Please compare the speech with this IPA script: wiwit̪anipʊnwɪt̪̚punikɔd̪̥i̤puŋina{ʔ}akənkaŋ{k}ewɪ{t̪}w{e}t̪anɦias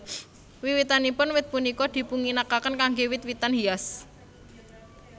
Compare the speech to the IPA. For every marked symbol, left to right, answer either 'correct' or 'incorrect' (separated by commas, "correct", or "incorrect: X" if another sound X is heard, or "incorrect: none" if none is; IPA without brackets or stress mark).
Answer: incorrect: k, incorrect: ɡ, correct, incorrect: i